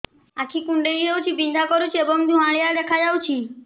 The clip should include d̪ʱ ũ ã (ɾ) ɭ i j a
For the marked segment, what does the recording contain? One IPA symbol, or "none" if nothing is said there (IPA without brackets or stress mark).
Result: none